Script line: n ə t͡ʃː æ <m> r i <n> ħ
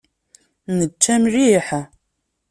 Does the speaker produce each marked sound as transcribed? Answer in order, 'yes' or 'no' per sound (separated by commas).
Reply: yes, no